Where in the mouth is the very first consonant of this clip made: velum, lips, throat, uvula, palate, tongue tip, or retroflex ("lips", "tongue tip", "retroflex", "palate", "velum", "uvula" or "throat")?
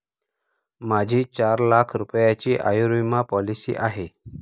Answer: lips